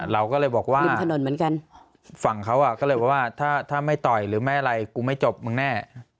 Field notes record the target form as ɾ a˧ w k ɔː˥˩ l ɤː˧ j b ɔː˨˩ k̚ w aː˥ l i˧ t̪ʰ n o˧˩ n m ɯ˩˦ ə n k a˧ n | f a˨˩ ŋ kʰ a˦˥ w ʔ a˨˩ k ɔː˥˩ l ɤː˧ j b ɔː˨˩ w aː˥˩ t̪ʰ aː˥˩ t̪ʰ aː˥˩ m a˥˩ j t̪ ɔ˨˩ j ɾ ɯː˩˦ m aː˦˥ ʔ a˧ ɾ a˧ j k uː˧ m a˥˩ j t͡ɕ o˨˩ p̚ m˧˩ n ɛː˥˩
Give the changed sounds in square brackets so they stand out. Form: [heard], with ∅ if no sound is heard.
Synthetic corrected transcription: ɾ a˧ w k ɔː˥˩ l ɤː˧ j b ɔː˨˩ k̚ w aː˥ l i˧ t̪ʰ n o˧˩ n m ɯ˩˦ ə n k a˧ n | f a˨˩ ŋ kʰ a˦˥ w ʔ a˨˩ k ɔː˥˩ l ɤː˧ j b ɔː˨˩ w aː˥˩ t̪ʰ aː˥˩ t̪ʰ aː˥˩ m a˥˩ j t̪ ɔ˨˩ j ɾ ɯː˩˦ m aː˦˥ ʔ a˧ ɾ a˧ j k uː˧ m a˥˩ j t͡ɕ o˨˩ p̚ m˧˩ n ɛː˥˩